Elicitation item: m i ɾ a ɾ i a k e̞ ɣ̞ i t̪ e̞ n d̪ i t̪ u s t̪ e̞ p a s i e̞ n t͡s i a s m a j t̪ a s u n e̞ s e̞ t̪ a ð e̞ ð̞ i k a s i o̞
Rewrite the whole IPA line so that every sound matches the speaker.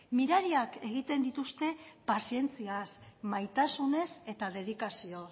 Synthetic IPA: m i ɾ a ɾ i a k e̞ ɣ̞ i t̪ e̞ n d̪ i t̪ u s t̪ e̞ p a s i e̞ n t͡s i a s m a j t̪ a s u n e̞ s e̞ t̪ a ð e̞ ð̞ i k a s i o̞